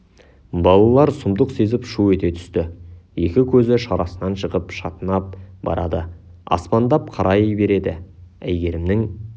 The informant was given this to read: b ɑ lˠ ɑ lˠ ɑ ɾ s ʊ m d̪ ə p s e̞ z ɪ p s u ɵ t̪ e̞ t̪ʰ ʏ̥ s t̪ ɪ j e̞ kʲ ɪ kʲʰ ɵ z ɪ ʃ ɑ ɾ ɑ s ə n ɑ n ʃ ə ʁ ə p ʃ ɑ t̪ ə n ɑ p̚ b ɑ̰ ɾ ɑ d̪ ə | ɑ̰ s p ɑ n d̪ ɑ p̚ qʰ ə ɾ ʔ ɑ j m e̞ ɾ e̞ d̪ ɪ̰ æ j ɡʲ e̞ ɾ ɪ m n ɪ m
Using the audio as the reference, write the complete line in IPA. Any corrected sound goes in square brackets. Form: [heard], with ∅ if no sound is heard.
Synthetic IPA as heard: b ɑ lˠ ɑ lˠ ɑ ɾ s ʊ m d̪ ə [q] s e̞ z ɪ p [ʃ] u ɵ t̪ e̞ t̪ʰ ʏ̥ s t̪ ɪ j e̞ kʲ ɪ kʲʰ ɵ z ɪ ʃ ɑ ɾ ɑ s ə n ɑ n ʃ ə ʁ ə p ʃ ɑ t̪ ə n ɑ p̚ b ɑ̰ ɾ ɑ d̪ ə | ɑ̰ s p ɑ n d̪ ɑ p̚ qʰ [ɑ] ɾ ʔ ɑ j [b] e̞ ɾ e̞ d̪ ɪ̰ æ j ɡʲ e̞ ɾ ɪ m n ɪ [ŋ]